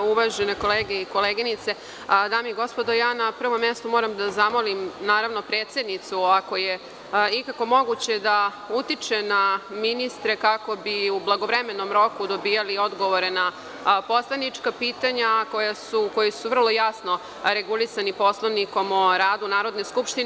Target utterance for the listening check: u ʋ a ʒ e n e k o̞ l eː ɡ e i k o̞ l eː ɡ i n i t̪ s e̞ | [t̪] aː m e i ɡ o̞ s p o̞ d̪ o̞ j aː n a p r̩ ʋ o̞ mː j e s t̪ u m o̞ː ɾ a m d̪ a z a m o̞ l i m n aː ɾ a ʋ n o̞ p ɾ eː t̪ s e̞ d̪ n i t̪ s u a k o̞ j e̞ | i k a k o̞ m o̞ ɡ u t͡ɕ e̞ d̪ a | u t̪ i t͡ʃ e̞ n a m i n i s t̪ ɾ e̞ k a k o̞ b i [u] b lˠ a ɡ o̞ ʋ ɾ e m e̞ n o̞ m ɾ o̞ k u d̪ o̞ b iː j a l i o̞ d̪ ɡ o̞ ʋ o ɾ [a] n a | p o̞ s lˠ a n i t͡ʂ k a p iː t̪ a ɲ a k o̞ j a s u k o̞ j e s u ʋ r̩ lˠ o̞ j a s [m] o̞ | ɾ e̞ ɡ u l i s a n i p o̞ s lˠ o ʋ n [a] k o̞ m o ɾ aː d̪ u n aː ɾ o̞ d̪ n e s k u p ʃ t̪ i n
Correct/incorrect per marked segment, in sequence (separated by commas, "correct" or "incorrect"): incorrect, correct, incorrect, incorrect, incorrect